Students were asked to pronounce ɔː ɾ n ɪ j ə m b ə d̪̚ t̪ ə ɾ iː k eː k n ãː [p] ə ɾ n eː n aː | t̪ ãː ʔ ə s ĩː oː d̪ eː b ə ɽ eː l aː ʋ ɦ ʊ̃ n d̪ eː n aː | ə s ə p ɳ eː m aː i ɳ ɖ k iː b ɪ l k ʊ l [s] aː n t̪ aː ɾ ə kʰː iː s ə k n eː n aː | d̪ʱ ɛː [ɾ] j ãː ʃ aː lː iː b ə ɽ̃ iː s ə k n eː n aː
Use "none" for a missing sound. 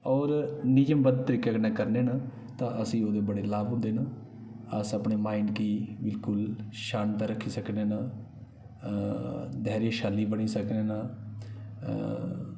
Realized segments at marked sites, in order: k, ʃ, ɾ

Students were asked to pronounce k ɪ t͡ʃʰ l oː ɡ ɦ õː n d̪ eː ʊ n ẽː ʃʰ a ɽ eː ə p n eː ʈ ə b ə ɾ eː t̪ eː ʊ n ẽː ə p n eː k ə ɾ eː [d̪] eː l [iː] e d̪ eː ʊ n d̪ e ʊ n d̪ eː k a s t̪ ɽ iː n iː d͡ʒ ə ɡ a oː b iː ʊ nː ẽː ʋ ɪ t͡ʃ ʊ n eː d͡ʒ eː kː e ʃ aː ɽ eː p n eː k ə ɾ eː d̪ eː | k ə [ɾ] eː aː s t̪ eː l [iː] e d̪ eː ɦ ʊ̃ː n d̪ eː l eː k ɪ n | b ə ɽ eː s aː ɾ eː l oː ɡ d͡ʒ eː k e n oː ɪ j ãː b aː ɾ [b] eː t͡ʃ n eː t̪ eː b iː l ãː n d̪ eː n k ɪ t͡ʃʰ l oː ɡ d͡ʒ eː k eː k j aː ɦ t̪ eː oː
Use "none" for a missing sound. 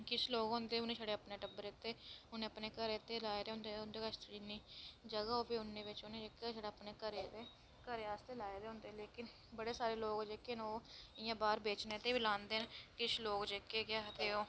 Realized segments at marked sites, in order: t̪, aː, ɾ, aː, b

